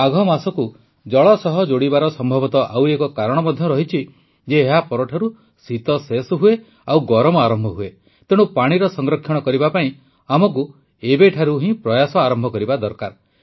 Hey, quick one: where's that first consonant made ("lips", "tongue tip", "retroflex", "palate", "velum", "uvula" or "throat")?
velum